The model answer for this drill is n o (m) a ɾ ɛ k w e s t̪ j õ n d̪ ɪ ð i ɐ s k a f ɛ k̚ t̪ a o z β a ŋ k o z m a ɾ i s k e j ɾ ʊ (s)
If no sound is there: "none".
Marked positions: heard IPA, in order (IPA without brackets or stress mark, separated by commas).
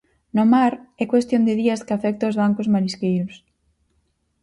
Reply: m, s